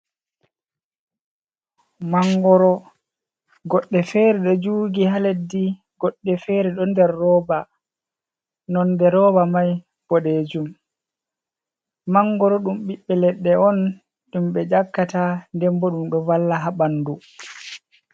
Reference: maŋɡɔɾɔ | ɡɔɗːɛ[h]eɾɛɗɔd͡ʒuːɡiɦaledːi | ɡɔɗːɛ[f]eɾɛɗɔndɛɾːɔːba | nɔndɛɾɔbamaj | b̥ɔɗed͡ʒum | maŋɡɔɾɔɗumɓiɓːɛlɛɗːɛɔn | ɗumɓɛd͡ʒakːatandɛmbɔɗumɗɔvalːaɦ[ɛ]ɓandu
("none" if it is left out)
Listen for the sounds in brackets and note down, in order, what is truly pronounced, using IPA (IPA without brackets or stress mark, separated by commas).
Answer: f, f, a